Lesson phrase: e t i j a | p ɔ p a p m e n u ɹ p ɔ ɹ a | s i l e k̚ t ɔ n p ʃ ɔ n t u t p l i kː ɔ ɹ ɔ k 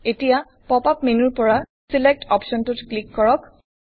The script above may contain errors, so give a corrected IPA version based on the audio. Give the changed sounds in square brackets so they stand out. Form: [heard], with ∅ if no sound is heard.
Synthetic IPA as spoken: e t i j a | p ɔ p a p m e n u ɹ p ɔ ɹ a | s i l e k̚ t ɔ [∅] p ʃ ɔ n t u t [k] l i kː ɔ ɹ ɔ k